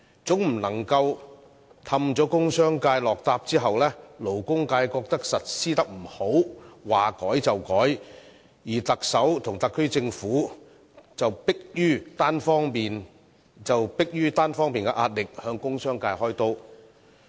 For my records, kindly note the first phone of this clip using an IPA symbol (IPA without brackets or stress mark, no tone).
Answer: t͡s